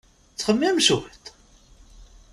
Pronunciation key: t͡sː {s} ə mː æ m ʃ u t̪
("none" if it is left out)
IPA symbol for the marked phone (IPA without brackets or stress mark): χ